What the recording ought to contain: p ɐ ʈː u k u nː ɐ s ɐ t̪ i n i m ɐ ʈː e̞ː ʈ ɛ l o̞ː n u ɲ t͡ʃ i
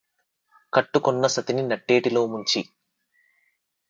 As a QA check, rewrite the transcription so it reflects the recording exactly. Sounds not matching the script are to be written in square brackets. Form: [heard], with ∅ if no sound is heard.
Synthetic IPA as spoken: [k] ɐ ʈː u k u nː ɐ s ɐ t̪ i n i [n] ɐ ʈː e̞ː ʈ [i] l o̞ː [m] u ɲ t͡ʃ i